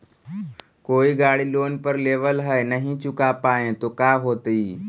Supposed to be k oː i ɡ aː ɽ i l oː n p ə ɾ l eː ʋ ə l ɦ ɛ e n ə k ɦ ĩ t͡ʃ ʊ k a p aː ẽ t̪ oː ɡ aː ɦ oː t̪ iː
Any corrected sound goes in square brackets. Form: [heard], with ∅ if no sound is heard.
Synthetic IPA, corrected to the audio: k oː i ɡ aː ɽ i l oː n p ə ɾ l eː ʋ ə l ɦ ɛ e n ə [∅] ɦ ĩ t͡ʃ ʊ k a p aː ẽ t̪ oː [k] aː ɦ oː t̪ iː

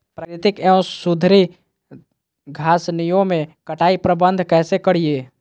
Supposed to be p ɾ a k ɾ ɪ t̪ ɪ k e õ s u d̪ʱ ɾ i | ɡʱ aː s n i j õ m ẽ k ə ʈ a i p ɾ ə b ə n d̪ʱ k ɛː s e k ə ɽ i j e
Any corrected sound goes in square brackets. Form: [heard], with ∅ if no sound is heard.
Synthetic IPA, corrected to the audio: p ɾ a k ɾ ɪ t̪ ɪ k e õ s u d̪ʱ ɾ i | ɡʱ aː s n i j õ m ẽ k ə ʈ a i p ɾ ə b ə n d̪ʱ k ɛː s e k ə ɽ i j e

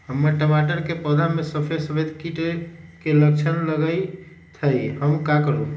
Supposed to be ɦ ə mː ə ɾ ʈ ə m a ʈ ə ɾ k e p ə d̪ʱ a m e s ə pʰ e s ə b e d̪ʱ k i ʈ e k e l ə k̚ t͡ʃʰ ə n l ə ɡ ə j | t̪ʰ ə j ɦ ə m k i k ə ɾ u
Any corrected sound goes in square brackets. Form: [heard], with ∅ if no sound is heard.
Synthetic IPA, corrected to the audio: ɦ ə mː ə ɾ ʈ ə m a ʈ ə ɾ k e p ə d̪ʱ a m e s ə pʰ e s ə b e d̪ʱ k i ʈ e k e l ə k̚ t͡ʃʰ ə n l ə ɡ ə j | t̪ʰ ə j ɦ ə m k [a] k ə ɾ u

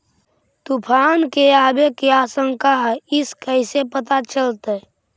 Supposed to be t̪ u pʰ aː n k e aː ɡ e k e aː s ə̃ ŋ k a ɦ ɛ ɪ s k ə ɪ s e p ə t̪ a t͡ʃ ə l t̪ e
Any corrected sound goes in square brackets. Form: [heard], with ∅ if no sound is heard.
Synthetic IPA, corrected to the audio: t̪ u pʰ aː n k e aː [b] e k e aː s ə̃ ŋ k a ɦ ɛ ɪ s k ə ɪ s e p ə t̪ a t͡ʃ ə l t̪ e

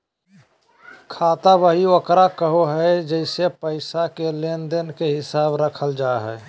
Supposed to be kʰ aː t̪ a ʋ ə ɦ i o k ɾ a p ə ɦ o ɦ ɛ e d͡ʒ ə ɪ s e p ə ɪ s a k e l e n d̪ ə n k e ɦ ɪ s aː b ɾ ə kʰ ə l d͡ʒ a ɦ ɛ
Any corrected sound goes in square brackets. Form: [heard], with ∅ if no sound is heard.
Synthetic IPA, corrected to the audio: kʰ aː t̪ a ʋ ə ɦ i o k ɾ a [k] ə ɦ o ɦ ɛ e d͡ʒ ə ɪ s e p ə ɪ s a k e l e n d̪ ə n k e ɦ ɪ s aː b ɾ ə kʰ ə l d͡ʒ a ɦ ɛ

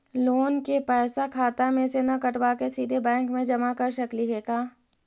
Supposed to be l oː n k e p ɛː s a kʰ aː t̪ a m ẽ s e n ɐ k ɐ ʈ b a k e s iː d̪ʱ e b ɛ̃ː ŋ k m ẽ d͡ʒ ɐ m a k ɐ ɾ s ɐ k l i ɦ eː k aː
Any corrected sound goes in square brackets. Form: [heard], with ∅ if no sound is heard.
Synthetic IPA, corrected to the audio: l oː n k e p ɛː s a kʰ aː t̪ a m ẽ s e n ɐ k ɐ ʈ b a k e s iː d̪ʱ e b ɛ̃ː ŋ k m ẽ d͡ʒ ɐ m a k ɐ ɾ [ʃ] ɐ k l i ɦ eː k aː

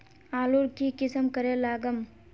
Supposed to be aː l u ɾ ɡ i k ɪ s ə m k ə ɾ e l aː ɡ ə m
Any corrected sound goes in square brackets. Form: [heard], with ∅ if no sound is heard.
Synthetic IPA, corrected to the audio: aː l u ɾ [k] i k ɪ s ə m k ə ɾ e l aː ɡ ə m

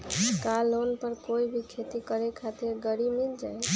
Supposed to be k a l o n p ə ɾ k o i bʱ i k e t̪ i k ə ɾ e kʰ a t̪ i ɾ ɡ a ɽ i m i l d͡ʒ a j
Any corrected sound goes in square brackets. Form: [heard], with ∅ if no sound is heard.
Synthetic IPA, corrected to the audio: k a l o n p ə ɾ k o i bʱ i [kʰ] e t̪ i k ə ɾ e kʰ a t̪ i ɾ ɡ [ə] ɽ i m i l d͡ʒ a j

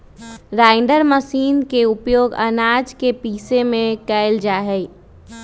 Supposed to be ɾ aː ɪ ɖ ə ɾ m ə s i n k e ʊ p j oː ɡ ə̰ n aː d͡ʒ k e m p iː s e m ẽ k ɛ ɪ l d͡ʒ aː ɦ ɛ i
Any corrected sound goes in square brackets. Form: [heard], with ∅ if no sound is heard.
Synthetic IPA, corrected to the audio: ɾ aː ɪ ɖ ə ɾ m ə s [iː] n k e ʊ p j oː ɡ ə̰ n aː d͡ʒ k e [∅] p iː s e m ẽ k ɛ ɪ l d͡ʒ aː ɦ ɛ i

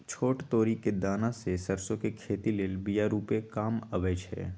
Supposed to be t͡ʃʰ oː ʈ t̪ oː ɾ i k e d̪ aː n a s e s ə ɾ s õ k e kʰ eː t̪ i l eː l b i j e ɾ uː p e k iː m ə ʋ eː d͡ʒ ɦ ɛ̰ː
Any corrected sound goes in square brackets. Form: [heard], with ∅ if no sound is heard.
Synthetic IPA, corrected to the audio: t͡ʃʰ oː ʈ t̪ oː ɾ i k e d̪ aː n a s e s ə ɾ s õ k e kʰ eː t̪ i l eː l b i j [a] ɾ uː p e k [aː] m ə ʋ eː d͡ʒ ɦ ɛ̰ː

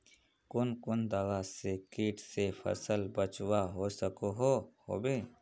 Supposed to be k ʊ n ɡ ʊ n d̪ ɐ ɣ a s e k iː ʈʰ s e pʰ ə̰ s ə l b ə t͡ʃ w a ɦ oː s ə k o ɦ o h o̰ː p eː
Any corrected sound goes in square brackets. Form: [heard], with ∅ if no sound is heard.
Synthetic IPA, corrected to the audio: k ʊ n [k] ʊ n d̪ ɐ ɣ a s e k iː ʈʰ s e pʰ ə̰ s ə l b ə t͡ʃ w a ɦ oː s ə k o ɦ o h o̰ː [b] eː

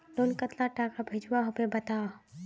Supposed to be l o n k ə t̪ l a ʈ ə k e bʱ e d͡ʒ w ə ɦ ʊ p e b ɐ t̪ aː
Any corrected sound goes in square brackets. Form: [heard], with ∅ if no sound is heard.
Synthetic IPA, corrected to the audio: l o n k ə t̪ l a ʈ [a] k [a] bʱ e d͡ʒ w [a] ɦ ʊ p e b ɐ t̪ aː

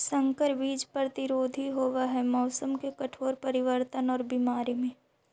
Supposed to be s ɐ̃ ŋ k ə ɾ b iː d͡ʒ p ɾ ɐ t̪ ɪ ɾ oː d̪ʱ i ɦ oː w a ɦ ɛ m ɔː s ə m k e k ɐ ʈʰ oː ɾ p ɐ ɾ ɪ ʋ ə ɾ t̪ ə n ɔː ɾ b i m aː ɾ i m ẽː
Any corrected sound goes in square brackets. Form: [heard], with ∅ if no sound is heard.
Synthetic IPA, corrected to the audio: s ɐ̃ ŋ k ə ɾ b iː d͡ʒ p ɾ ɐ t̪ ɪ ɾ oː d̪ʱ i ɦ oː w a ɦ ɛ m ɔː s ə m k e k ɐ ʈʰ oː ɾ p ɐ ɾ ɪ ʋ ə ɾ t̪ ə n ɔː ɾ b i m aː ɾ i m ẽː

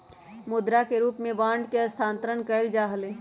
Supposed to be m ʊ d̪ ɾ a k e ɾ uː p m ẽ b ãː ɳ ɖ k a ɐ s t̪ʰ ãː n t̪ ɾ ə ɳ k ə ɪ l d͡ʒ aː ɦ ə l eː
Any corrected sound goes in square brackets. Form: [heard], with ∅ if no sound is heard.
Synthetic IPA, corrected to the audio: m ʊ d̪ ɾ a k e ɾ uː p m ẽ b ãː ɳ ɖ k [e] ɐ s t̪ʰ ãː n t̪ ɾ ə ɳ k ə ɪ l d͡ʒ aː ɦ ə l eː

